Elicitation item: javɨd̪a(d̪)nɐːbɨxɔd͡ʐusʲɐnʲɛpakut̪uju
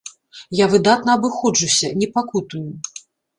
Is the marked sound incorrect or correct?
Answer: incorrect